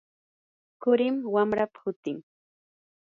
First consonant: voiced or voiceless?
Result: voiceless